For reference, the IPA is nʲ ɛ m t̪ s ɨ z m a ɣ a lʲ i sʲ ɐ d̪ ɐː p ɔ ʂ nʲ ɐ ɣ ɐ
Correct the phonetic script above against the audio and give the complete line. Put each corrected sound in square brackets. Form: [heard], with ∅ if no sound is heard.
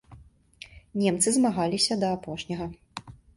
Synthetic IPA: nʲ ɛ m t̪ s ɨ z m a ɣ a lʲ i sʲ ɐ d̪ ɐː p ɔ ʂ nʲ ɐ ɣ ɐ